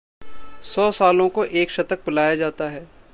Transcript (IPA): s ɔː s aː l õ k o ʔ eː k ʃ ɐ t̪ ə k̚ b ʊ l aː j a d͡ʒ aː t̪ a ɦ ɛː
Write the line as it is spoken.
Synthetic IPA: s ɔː s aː l õ k o ʔ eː k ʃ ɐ t̪ ə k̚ b ʊ l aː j a d͡ʒ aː t̪ a ɦ ɛː

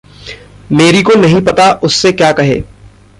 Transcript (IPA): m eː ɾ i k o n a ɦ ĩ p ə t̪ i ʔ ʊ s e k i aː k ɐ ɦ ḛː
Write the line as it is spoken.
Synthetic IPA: m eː ɾ i k o n ɐ ɦ ĩ p ɐ t̪ a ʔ ʊ sː e k j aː k ɐ ɦ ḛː

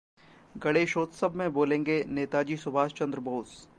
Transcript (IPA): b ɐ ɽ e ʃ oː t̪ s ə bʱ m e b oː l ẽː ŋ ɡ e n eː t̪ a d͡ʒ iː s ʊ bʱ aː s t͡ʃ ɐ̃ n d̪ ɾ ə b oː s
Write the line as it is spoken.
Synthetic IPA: ɡ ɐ ɽ e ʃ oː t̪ s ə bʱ m ẽ b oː l ẽː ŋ ɡ e n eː t̪ a d͡ʒ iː s ʊ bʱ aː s t͡ʃ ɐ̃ n d̪ ɾ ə b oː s

